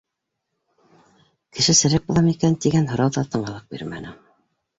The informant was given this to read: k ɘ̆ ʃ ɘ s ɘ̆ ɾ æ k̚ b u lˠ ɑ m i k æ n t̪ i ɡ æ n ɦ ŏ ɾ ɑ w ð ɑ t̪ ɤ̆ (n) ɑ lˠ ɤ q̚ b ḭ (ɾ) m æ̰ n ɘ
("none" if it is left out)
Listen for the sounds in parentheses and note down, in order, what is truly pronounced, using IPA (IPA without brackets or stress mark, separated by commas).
ɴ, ɾ